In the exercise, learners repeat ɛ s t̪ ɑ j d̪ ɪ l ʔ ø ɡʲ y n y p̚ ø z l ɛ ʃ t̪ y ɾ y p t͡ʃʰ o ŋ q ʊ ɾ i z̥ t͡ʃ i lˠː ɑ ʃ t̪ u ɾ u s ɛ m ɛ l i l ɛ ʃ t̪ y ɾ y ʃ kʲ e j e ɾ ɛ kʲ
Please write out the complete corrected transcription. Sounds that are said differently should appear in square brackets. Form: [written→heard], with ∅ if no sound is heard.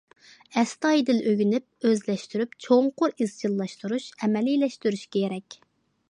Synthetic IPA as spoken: ɛ s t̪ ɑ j d̪ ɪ l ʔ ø ɡʲ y n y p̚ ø z l ɛ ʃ t̪ y ɾ y p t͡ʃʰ o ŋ q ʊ ɾ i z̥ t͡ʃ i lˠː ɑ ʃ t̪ u ɾ u [s→ʃ] ɛ m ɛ l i l ɛ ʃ t̪ y ɾ y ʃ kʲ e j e ɾ ɛ kʲ